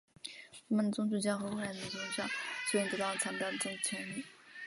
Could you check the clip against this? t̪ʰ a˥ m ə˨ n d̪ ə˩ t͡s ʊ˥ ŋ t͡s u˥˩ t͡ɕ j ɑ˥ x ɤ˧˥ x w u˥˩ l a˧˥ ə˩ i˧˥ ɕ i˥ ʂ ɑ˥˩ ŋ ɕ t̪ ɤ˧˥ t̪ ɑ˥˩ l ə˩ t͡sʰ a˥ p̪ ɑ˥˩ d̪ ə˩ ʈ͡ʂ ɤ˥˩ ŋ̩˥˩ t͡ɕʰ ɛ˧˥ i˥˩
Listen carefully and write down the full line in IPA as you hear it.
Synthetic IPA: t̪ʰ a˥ m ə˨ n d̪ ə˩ t͡s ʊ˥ ŋ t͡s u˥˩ t͡ɕ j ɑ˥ x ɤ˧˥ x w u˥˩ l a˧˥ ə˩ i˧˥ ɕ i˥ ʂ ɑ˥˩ ŋ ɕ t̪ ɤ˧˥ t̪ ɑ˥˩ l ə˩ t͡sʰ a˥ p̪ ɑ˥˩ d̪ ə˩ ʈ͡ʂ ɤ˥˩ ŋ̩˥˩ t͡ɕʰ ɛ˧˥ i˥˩